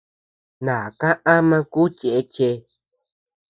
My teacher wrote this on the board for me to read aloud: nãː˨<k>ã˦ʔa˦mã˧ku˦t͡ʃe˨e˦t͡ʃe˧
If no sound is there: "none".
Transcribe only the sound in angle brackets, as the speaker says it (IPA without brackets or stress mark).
k